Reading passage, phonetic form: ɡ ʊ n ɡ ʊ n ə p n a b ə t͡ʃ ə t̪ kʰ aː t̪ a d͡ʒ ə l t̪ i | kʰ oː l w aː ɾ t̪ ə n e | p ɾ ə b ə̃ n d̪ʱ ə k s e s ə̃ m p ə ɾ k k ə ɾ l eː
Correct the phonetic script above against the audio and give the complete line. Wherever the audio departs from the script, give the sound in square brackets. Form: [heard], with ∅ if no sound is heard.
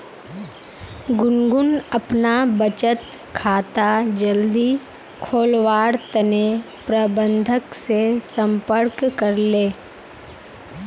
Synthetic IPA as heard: ɡ ʊ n ɡ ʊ n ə p n a b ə t͡ʃ ə t̪ kʰ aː t̪ a d͡ʒ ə l [d̪] i | kʰ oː l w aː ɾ t̪ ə n e | p ɾ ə b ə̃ n d̪ʱ ə k s e s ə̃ m p ə ɾ k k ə ɾ l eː